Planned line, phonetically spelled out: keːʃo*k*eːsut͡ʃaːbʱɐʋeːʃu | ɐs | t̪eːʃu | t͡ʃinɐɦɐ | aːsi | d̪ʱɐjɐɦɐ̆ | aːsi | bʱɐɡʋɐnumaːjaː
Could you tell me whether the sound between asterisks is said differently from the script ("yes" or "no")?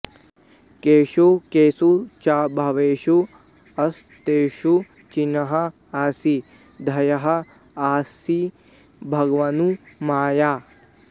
no